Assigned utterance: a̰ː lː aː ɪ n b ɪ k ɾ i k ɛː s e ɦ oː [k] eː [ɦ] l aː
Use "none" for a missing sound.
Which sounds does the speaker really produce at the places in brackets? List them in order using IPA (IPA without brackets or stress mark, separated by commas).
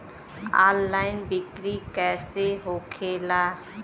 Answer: kʰ, none